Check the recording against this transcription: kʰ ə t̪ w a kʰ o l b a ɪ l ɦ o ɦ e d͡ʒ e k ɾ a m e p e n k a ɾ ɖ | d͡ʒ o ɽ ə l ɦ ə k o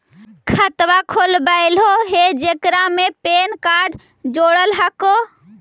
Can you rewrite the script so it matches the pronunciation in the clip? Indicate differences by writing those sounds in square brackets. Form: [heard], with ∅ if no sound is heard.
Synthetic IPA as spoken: kʰ ə t̪ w a kʰ o l b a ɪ l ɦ o ɦ e d͡ʒ e k ɾ a m e p e n k a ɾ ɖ | d͡ʒ o ɽ ə l ɦ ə k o